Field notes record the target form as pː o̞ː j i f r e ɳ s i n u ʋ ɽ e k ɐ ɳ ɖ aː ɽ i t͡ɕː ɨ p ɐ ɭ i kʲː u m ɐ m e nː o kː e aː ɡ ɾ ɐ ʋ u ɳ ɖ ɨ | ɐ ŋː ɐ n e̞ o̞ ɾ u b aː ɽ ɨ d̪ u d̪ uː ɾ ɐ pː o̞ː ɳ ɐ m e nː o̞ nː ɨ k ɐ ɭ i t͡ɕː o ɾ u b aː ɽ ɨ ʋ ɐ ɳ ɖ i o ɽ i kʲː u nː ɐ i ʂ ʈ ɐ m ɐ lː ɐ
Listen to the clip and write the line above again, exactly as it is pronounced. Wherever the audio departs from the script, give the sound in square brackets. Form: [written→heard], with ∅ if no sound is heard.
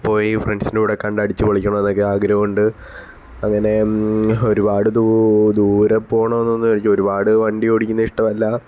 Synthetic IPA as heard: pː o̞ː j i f r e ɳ s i n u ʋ ɽ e k ɐ ɳ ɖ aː ɽ i t͡ɕː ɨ p ɐ ɭ i kʲː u [m→ɳ] ɐ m e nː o kː e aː ɡ ɾ ɐ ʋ u ɳ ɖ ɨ | ɐ ŋː ɐ n e̞ o̞ ɾ u b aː ɽ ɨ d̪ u d̪ uː ɾ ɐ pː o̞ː ɳ ɐ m e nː o̞ nː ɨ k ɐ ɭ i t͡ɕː o ɾ u b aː ɽ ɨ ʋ ɐ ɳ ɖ i o ɽ i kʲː u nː ɐ i ʂ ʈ ɐ m ɐ lː ɐ

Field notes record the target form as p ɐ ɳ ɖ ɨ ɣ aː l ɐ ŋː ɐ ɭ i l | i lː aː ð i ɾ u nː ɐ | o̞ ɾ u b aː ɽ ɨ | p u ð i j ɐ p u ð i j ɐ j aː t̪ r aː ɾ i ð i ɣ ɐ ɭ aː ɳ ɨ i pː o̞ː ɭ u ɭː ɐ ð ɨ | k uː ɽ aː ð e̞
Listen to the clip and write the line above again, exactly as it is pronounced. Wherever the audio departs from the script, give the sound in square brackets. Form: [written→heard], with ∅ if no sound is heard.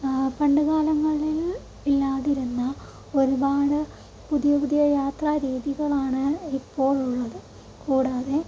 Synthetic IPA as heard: p ɐ ɳ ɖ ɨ ɣ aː l ɐ ŋː ɐ ɭ i l | i lː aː ð i ɾ u nː ɐ | o̞ ɾ u b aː ɽ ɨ | p u ð i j ɐ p u ð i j ɐ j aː t̪ r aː ɾ [i→iː] ð i ɣ ɐ ɭ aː ɳ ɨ i pː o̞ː ɭ u ɭː ɐ ð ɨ | k uː ɽ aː ð e̞

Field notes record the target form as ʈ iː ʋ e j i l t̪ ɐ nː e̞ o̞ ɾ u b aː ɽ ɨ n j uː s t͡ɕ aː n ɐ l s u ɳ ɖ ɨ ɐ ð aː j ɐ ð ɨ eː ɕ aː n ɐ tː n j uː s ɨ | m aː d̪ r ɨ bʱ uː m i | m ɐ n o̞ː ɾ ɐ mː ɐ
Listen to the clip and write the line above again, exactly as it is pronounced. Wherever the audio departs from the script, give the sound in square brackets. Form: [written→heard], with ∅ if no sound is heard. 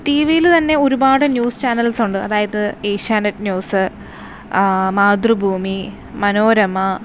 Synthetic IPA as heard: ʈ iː ʋ [e→i] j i l t̪ ɐ nː e̞ o̞ ɾ u b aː ɽ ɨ n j uː s t͡ɕ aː n ɐ l s u ɳ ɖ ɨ ɐ ð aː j ɐ ð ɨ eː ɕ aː n ɐ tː n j uː s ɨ | m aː d̪ r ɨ bʱ uː m i | m ɐ n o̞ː ɾ ɐ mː ɐ

